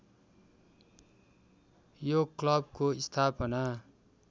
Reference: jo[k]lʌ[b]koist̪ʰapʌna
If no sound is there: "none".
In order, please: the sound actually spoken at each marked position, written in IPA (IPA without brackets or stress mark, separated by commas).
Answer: k, b